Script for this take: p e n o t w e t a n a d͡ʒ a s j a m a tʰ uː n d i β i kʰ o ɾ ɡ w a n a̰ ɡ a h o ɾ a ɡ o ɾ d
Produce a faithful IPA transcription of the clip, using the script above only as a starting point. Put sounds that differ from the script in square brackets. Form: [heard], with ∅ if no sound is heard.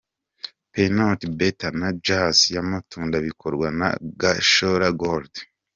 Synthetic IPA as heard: p e n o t [b] e t a n a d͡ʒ a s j a m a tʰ uː n d [a] β i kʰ o ɾ ɡ w a n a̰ ɡ a [ʃ] o ɾ a ɡ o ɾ d